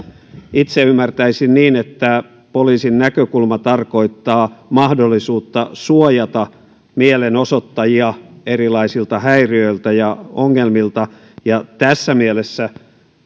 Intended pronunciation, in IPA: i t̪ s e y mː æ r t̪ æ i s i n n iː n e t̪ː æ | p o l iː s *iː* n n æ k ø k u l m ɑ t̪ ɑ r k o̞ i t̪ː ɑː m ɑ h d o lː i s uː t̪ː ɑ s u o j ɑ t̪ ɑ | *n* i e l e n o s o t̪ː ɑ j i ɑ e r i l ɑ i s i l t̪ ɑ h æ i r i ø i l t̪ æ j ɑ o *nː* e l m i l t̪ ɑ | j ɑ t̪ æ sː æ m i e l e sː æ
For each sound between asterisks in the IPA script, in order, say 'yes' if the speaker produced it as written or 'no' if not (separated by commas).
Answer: no, no, no